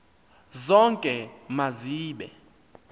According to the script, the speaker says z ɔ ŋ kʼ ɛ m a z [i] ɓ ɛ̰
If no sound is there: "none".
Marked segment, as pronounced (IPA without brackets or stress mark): iː